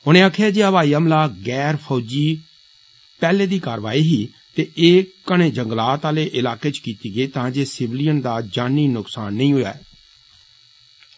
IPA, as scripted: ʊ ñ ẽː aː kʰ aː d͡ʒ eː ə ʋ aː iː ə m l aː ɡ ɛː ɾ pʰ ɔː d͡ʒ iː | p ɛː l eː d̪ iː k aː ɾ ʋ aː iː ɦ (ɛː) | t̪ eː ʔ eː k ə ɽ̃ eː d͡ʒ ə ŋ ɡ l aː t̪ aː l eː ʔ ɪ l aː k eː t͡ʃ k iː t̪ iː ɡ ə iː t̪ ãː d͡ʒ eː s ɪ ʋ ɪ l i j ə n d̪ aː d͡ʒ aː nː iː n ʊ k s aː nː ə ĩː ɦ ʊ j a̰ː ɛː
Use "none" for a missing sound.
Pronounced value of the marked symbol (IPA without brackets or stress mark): iː